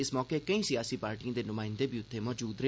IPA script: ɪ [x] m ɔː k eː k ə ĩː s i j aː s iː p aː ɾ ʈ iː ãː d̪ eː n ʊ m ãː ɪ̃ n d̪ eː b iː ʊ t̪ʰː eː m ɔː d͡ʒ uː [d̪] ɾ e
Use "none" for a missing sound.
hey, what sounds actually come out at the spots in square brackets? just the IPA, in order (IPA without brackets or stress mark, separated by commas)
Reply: s, d̪